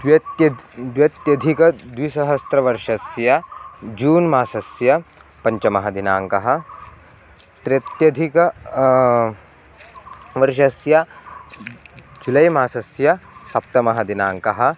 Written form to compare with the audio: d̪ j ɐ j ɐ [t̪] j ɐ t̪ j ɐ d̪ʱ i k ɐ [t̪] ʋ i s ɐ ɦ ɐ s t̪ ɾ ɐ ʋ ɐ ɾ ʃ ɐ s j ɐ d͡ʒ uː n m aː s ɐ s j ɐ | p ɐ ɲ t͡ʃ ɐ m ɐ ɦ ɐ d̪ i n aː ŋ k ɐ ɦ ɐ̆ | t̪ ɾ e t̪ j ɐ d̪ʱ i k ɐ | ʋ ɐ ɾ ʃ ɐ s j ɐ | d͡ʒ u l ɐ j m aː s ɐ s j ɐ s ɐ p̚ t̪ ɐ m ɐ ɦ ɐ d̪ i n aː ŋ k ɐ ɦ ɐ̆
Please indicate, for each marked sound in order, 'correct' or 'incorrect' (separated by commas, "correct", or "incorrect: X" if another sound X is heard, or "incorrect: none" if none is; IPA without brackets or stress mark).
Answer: incorrect: d̪, incorrect: d̪